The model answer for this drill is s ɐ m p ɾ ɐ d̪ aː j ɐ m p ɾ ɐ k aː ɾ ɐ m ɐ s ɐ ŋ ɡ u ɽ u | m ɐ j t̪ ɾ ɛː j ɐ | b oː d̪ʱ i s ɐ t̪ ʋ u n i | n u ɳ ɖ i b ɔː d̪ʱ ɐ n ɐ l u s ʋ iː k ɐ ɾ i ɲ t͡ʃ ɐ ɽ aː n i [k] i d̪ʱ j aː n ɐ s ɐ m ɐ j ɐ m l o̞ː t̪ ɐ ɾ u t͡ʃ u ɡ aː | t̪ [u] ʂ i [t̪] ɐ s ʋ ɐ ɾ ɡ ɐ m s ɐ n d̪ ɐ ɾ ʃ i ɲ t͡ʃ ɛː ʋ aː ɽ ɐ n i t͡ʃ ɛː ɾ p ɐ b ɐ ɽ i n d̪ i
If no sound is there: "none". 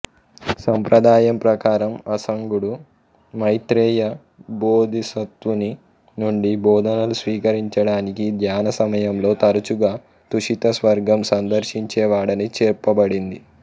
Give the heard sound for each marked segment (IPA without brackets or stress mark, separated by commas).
k, u, t̪